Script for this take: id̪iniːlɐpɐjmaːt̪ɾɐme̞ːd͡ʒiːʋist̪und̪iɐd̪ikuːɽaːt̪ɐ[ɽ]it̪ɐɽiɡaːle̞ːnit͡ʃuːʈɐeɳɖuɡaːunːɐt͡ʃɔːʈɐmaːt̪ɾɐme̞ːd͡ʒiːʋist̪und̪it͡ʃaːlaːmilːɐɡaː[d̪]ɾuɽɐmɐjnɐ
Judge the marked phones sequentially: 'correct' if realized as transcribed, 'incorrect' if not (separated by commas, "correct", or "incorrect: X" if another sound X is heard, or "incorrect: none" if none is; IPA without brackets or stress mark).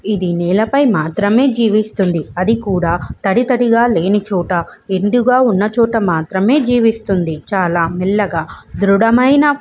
correct, correct